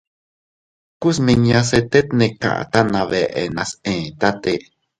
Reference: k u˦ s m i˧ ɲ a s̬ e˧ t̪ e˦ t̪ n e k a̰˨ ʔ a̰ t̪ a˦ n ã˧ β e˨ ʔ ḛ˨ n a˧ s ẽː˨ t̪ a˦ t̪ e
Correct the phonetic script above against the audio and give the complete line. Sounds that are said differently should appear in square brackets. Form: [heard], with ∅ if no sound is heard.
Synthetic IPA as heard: k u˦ s m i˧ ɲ a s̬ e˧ t̪ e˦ t̪ n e k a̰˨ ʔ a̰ t̪ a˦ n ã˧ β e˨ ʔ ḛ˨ n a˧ s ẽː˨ t̪ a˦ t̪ e